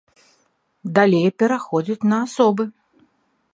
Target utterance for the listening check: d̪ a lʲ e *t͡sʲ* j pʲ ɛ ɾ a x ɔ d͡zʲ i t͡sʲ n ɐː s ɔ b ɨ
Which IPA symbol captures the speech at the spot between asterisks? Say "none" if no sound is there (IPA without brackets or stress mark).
none